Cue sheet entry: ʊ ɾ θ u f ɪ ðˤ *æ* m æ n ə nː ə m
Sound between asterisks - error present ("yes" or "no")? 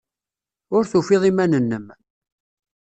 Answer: yes